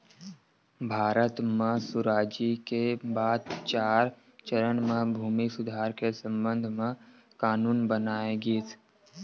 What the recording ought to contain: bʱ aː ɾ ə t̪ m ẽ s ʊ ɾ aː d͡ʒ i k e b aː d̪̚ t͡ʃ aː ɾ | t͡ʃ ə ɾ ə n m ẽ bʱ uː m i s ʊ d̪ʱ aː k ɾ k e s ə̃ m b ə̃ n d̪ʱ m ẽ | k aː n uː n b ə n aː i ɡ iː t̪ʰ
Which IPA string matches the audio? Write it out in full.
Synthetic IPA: bʱ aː ɾ ə t̪ m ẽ s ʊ ɾ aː d͡ʒ i k e b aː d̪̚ t͡ʃ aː ɾ | t͡ʃ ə ɾ ə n m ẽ bʱ uː m i s ʊ d̪ʱ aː ɾ k e s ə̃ m b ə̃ n d̪ʱ m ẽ | k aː n uː n b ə n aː e ɡ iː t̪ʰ